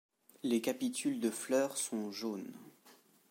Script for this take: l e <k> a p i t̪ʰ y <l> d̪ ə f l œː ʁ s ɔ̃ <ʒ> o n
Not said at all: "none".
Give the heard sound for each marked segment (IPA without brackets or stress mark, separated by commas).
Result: k, l, ʒ